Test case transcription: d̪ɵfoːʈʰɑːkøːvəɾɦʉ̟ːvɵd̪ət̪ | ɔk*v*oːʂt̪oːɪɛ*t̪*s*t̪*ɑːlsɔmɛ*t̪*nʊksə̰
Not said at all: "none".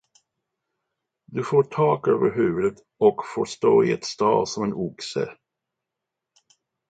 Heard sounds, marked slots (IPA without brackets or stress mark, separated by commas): f, t̪, t̪, none